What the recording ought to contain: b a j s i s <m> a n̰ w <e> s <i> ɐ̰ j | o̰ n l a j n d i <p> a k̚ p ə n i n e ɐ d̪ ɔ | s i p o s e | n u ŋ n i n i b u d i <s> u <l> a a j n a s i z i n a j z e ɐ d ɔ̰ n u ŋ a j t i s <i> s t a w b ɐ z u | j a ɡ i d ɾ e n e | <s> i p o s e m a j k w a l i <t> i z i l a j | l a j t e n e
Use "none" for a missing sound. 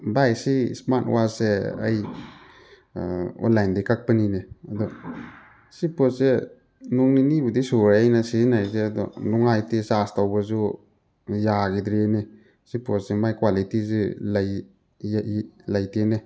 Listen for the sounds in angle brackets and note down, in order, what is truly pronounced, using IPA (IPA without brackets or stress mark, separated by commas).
m, a, e, k, s, ɾ, a, s, t